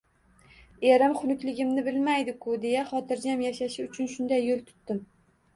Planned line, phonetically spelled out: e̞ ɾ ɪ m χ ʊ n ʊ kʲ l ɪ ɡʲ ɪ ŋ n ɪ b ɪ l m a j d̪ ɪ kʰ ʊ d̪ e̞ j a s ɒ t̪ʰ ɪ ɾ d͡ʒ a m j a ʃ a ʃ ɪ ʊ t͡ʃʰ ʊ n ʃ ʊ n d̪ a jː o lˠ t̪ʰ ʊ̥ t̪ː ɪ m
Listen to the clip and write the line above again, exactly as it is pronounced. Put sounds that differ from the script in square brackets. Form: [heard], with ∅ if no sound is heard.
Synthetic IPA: e̞ ɾ ɪ m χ ʊ n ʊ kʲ l ɪ ɡʲ ɪ [m] n ɪ b ɪ l m a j d̪ ɪ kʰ ʊ d̪ e̞ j a [χ] ɒ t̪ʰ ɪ ɾ d͡ʒ a m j a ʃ a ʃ ɪ ʊ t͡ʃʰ ʊ n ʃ ʊ n d̪ a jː o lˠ t̪ʰ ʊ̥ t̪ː ɪ m